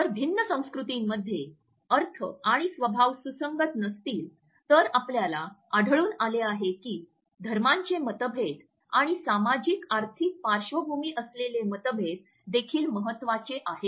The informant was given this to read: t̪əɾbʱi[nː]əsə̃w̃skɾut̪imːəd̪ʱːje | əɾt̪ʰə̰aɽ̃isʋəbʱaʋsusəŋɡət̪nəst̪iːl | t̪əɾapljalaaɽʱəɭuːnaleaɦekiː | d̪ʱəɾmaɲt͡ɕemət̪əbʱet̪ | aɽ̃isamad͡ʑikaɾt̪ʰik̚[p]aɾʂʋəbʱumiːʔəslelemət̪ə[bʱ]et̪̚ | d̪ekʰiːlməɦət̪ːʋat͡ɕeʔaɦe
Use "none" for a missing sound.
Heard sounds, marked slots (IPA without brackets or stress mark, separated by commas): nː, p, bʱ